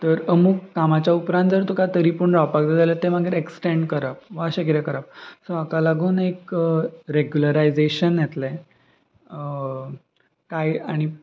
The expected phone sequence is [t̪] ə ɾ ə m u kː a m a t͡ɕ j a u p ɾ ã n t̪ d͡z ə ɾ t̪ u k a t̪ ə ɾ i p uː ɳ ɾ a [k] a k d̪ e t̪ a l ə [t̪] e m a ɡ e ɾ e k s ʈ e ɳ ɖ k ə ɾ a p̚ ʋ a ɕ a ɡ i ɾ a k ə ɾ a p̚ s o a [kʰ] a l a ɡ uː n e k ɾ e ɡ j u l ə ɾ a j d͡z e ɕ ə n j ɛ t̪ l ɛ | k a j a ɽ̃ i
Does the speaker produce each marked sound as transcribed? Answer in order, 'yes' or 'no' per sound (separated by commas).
yes, no, yes, no